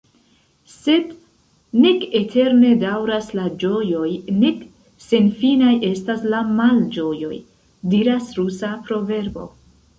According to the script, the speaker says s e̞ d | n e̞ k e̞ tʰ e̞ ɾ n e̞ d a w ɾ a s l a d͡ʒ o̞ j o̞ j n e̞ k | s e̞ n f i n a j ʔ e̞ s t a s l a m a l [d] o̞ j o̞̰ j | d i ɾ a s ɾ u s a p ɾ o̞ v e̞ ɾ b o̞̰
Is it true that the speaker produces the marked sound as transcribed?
no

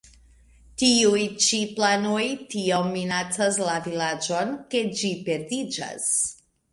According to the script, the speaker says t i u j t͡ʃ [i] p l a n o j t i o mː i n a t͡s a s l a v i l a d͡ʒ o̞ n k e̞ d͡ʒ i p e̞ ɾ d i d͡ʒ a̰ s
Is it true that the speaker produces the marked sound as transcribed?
yes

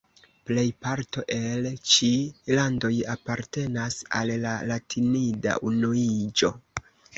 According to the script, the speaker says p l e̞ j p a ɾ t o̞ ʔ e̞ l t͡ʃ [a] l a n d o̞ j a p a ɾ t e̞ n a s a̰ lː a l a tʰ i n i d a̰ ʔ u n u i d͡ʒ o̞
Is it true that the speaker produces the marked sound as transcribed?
no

